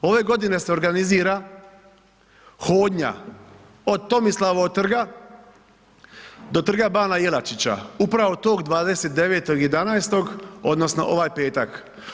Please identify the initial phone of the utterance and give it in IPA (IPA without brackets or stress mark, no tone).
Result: o̞